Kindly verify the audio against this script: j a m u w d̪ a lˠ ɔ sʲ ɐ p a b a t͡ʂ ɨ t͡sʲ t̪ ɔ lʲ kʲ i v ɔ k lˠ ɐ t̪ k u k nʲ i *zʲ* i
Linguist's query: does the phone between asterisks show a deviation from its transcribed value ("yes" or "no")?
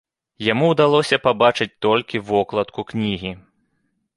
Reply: yes